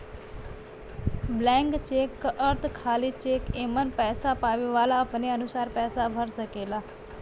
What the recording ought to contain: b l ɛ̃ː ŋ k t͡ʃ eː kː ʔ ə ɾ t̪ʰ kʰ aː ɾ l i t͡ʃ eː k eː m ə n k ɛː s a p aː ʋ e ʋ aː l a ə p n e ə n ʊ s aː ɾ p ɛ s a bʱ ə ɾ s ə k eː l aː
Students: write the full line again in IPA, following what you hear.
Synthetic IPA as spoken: b l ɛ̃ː ŋ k t͡ʃ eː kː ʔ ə ɾ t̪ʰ kʰ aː l i t͡ʃ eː k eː m ə n p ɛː s a p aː ʋ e ʋ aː l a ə p n e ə n ʊ s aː ɾ p ɛː s a bʱ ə ɾ s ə k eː l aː